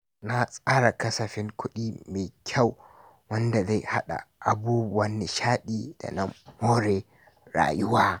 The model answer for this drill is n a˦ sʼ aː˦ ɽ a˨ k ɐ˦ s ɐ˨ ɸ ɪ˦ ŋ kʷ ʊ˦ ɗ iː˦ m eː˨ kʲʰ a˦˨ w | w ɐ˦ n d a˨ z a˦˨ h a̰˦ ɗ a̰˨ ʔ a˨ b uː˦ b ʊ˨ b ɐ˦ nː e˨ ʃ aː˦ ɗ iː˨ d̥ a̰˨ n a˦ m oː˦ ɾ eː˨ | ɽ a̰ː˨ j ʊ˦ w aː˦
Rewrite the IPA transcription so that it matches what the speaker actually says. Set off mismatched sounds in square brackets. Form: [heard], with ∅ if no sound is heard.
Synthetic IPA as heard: n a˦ sʼ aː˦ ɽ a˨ k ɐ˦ s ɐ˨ ɸ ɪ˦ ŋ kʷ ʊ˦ ɗ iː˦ m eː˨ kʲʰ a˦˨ w | w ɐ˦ n d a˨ z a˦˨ h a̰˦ ɗ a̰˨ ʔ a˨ b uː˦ b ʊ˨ [w] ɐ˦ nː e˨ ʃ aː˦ ɗ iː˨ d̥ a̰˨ n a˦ m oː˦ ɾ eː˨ | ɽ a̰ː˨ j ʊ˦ w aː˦

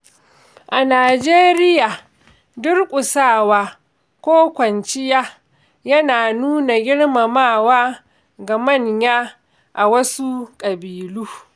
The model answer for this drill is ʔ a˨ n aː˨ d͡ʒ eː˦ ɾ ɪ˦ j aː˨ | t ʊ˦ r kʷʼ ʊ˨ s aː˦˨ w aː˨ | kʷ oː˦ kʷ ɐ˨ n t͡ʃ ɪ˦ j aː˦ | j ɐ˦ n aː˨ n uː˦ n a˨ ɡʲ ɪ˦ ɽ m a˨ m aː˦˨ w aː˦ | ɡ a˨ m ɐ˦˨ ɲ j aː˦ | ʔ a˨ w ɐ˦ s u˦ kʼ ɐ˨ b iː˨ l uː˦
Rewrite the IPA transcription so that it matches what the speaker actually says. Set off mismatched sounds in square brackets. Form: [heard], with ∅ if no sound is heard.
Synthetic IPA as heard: ʔ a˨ n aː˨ d͡ʒ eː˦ ɾ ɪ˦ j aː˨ | [d] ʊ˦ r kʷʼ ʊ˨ s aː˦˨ w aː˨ | kʷ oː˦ kʷ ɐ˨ n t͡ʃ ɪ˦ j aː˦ | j ɐ˦ n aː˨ n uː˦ n a˨ ɡʲ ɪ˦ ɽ m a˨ m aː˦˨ w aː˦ | ɡ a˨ m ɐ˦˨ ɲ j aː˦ | ʔ a˨ w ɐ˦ s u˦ kʼ ɐ˨ b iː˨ l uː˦

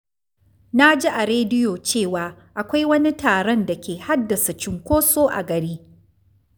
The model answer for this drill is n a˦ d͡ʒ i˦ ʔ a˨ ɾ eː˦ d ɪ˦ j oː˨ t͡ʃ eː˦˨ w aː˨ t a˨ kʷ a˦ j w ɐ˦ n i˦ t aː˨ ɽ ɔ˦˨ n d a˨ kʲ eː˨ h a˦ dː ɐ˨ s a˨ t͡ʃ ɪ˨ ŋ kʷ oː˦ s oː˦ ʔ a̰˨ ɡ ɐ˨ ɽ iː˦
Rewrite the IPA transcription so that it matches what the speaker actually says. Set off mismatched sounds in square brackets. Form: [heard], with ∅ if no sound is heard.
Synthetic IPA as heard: n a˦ d͡ʒ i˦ ʔ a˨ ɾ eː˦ d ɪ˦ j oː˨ t͡ʃ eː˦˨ w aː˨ [ʔ] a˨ kʷ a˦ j w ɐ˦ n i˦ t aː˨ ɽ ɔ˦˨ n d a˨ kʲ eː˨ h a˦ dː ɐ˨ s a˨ t͡ʃ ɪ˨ ŋ kʷ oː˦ s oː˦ ʔ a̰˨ ɡ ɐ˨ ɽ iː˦

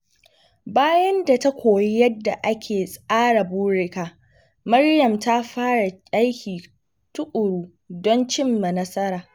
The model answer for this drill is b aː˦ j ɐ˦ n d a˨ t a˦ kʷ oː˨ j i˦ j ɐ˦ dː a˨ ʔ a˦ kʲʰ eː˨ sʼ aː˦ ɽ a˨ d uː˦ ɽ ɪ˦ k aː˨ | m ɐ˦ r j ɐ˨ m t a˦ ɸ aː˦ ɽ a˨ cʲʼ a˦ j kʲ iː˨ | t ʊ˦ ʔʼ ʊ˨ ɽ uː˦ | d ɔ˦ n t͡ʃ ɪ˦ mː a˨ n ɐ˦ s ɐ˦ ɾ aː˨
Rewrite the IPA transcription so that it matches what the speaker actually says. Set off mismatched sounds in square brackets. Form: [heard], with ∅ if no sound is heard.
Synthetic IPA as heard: b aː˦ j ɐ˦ n d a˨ t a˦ kʷ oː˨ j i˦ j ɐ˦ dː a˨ ʔ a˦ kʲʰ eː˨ sʼ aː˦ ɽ a˨ [b] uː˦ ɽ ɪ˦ k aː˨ | m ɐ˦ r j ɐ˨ m t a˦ ɸ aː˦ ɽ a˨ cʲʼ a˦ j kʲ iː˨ | t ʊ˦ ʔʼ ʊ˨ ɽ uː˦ | d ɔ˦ n t͡ʃ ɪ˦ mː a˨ n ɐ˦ s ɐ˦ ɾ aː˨

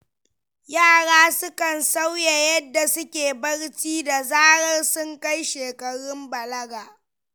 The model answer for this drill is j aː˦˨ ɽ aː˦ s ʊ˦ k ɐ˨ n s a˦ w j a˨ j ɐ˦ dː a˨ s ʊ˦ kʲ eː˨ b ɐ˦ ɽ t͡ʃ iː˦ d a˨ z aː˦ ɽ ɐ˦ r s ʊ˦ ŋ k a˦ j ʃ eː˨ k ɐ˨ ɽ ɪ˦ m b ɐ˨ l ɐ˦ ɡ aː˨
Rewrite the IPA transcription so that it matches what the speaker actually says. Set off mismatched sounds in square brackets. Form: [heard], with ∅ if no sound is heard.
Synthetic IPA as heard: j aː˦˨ ɽ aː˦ s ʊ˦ k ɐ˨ n s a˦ w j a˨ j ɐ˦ dː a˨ s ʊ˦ kʲ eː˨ b ɐ˦ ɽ t͡ʃ iː˦ d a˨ z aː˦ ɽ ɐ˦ r s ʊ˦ ŋ k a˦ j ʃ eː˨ k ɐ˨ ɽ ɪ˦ m b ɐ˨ l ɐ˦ ɡ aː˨

